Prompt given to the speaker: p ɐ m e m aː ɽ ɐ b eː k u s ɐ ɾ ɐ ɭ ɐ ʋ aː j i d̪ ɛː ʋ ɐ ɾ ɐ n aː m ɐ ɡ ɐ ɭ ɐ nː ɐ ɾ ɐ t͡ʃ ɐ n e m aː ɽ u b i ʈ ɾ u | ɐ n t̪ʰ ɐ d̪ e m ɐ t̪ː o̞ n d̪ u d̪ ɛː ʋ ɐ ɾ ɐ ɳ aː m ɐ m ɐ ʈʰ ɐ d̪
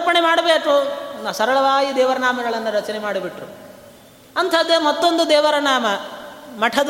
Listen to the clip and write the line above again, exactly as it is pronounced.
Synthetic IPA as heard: p ɐ ɳ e m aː ɽ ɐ b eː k u s ɐ ɾ ɐ ɭ ɐ ʋ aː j i d̪ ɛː ʋ ɐ ɾ ɐ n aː m ɐ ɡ ɐ ɭ ɐ nː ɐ ɾ ɐ t͡ʃ ɐ n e m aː ɽ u b i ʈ ɾ u | ɐ n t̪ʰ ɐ d̪ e m ɐ t̪ː o̞ n d̪ u d̪ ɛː ʋ ɐ ɾ ɐ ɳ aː m ɐ m ɐ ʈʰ ɐ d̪